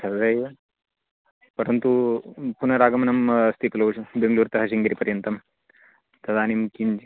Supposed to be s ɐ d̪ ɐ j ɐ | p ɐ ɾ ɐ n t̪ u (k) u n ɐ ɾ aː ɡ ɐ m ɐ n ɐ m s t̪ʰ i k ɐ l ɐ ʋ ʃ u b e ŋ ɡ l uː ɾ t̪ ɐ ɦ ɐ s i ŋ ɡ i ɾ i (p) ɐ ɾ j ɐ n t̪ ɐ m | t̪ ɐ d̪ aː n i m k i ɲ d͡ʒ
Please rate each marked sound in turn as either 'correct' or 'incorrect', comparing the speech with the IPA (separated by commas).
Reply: incorrect, correct